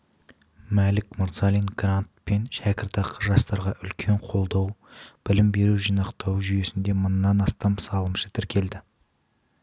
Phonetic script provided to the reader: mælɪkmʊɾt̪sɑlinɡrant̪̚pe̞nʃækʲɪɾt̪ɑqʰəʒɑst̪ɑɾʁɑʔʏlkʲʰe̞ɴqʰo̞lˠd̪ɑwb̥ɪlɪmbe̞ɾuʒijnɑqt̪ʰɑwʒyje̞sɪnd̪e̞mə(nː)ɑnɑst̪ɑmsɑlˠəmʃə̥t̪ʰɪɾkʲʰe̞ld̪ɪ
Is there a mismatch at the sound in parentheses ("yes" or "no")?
no